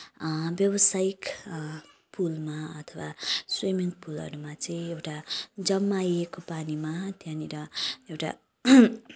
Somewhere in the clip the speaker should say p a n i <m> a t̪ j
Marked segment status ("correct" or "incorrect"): correct